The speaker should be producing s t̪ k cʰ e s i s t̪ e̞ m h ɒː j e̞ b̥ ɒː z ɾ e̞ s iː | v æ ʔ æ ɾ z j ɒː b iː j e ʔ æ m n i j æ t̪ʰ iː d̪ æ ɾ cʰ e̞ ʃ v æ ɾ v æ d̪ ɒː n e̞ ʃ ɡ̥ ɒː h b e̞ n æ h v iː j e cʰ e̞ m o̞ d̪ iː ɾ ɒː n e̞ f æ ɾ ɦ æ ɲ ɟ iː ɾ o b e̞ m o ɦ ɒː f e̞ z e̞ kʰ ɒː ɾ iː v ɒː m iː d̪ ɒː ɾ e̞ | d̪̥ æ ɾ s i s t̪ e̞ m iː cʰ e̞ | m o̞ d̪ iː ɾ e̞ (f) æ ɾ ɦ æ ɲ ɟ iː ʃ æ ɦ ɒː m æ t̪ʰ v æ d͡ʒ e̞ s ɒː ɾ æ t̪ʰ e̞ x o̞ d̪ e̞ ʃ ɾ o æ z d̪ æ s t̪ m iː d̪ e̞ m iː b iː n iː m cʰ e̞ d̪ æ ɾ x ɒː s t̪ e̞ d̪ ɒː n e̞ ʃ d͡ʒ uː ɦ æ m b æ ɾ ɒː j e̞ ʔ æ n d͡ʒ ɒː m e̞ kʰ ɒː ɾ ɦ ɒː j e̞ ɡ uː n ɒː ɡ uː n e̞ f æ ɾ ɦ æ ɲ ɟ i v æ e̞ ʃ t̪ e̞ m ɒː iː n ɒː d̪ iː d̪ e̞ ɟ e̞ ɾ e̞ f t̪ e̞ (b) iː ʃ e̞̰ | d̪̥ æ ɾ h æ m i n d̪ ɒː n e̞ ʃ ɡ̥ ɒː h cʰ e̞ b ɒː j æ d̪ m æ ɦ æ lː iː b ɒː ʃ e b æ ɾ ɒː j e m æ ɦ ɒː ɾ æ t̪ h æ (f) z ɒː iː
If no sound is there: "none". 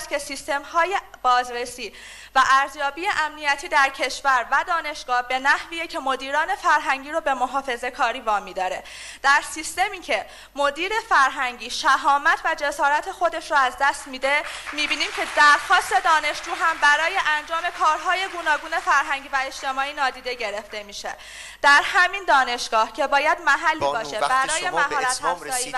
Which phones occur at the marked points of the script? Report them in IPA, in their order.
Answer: f, m, f

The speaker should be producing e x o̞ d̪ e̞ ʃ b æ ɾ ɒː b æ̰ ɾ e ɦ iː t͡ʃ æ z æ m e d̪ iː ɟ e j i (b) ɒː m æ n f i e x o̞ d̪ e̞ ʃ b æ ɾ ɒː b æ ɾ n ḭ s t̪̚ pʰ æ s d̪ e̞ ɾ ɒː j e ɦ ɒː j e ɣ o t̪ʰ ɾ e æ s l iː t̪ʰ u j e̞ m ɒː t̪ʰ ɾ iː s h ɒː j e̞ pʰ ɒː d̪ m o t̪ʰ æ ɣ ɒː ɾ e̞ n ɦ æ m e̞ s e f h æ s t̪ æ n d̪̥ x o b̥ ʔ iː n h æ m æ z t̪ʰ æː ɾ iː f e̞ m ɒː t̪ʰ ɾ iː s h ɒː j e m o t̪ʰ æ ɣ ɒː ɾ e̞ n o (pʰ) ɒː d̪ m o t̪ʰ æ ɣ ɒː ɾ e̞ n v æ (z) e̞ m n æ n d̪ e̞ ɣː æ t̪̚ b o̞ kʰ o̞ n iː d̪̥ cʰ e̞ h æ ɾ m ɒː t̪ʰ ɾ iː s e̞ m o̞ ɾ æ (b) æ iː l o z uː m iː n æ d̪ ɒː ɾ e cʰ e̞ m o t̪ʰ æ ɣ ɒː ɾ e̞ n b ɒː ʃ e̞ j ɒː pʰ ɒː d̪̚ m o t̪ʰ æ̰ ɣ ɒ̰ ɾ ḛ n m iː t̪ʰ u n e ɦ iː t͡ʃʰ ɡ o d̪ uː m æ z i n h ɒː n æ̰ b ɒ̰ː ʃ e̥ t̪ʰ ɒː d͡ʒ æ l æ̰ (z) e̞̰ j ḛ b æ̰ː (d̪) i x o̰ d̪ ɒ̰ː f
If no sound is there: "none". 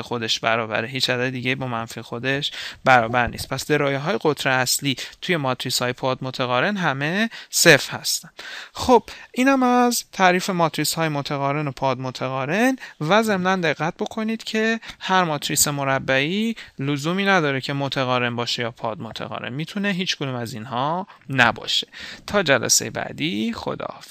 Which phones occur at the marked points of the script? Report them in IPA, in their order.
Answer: b, pʰ, z, bː, s, d̪

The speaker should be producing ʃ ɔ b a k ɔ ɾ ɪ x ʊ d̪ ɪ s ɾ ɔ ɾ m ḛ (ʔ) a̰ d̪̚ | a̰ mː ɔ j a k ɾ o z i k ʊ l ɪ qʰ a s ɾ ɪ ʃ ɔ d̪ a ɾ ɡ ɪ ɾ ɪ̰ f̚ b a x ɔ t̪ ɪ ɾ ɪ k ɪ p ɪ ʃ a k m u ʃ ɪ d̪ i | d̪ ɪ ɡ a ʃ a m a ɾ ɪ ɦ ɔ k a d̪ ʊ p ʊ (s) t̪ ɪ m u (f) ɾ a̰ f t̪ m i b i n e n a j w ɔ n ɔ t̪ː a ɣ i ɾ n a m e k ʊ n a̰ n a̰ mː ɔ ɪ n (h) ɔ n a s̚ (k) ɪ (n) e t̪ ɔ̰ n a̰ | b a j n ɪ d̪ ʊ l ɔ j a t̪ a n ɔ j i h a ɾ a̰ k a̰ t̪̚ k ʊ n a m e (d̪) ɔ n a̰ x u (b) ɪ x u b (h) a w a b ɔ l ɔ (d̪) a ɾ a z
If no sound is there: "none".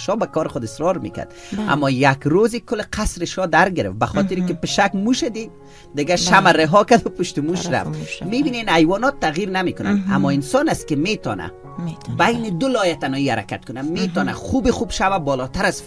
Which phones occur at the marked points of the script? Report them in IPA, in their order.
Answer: k, ʃ, ʃ, s, k, m, t̪, b, ʃ, t̪

